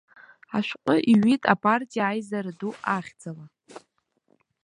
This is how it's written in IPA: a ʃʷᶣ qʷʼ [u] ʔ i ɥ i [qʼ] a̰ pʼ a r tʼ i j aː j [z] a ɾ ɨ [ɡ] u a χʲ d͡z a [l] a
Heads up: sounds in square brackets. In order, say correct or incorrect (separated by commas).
incorrect, incorrect, correct, incorrect, correct